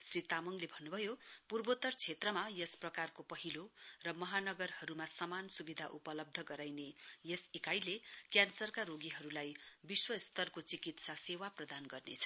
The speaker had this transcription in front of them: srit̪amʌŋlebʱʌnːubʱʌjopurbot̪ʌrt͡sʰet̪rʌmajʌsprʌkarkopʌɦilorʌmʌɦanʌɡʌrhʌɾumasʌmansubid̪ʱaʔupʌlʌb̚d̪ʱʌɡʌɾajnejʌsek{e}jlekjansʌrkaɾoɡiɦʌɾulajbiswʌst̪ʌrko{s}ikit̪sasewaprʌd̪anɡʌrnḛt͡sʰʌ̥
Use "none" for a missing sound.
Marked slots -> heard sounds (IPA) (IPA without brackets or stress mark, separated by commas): a, t͡s